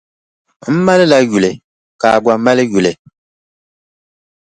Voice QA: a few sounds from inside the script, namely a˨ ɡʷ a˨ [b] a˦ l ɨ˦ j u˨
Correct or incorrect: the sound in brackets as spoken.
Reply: incorrect: m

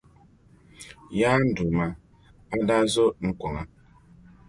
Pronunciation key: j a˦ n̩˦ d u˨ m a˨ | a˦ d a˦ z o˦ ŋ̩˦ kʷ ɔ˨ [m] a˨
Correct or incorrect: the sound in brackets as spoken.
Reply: incorrect: ŋ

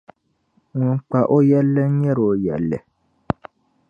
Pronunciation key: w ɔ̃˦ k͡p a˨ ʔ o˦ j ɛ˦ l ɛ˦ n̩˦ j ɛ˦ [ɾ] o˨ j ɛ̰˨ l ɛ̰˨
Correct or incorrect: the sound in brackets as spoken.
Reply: correct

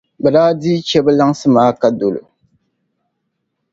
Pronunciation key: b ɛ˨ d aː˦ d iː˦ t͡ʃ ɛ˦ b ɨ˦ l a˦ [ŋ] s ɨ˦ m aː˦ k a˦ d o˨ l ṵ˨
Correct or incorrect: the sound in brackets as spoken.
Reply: correct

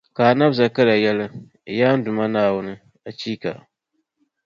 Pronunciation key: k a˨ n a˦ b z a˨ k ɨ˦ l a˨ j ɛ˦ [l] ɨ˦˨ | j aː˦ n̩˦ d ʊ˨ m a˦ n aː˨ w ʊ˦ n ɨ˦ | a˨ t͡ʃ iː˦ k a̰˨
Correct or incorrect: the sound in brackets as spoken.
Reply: correct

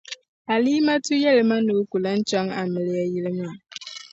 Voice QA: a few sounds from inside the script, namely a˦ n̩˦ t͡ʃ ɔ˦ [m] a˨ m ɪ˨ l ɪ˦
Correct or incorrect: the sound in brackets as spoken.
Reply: incorrect: ŋ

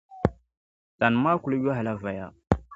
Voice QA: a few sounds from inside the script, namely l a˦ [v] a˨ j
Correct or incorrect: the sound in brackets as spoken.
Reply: correct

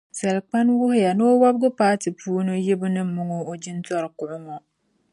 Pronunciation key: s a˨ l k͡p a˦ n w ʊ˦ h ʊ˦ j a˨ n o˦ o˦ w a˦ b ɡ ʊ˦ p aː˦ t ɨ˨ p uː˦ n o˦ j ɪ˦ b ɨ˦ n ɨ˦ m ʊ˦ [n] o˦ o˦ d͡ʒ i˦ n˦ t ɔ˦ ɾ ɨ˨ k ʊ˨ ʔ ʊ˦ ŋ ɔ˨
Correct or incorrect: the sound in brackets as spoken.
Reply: incorrect: ŋ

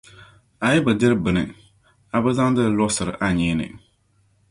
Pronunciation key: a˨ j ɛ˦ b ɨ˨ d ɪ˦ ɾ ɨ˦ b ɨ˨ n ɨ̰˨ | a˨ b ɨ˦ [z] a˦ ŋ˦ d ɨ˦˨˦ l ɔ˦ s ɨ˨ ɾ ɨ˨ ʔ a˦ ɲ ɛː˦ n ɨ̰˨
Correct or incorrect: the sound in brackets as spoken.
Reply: correct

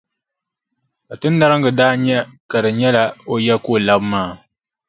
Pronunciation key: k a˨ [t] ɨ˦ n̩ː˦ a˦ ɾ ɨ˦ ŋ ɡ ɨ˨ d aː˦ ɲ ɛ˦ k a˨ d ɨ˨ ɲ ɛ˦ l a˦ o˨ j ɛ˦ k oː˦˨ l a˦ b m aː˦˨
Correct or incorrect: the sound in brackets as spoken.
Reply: correct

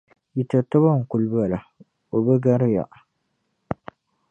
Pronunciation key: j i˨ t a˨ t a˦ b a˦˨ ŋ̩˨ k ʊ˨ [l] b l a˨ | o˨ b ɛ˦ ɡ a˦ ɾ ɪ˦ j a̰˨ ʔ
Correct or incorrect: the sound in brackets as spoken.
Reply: correct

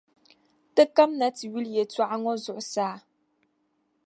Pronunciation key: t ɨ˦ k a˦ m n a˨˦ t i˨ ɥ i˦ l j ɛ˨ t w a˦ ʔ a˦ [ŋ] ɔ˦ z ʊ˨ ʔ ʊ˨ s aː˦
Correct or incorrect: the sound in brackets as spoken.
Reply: correct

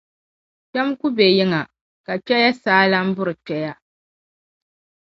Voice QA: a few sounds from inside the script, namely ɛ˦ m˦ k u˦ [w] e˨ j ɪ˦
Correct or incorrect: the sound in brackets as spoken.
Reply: incorrect: b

